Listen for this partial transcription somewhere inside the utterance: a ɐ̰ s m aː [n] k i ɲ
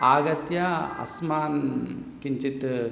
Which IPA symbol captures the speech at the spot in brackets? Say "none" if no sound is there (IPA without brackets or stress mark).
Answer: n